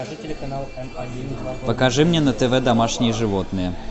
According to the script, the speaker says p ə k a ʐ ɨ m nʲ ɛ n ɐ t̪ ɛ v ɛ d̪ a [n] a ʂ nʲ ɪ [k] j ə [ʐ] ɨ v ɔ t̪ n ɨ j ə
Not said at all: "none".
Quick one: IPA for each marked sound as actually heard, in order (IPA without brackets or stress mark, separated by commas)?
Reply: m, none, ʐ